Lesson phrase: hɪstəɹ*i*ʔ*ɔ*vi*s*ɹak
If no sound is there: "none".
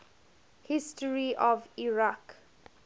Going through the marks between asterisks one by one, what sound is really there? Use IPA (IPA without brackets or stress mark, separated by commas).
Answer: i, ɔ, none